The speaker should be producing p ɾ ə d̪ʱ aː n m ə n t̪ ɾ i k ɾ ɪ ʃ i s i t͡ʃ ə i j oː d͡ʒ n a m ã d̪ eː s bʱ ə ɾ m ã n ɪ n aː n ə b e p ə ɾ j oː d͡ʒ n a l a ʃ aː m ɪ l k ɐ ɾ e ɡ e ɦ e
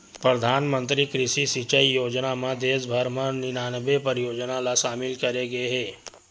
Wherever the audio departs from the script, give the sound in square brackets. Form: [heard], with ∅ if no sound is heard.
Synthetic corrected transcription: p ɾ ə d̪ʱ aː n m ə n t̪ ɾ i k ɾ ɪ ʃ i s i t͡ʃ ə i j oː d͡ʒ n a m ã d̪ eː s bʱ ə ɾ m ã n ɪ n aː n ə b e p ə ɾ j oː d͡ʒ n a l a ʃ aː m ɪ l k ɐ ɾ e ɡ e ɦ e